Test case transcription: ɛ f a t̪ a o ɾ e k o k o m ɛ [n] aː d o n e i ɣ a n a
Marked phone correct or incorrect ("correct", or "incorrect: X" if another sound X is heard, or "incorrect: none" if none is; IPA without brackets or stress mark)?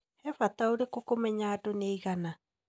incorrect: ɲ